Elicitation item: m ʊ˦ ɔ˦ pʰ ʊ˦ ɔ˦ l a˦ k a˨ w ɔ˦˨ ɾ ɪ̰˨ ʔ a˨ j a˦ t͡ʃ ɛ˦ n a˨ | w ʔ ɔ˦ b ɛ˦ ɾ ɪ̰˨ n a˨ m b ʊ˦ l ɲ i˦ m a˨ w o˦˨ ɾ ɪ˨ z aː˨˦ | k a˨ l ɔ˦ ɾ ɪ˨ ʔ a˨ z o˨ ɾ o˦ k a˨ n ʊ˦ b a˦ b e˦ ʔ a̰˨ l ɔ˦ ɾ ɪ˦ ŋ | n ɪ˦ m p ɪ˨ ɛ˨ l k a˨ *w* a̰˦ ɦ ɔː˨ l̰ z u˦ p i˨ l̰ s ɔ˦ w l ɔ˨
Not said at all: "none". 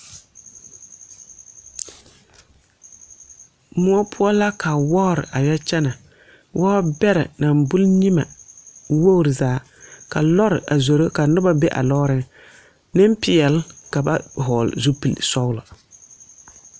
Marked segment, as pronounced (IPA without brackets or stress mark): b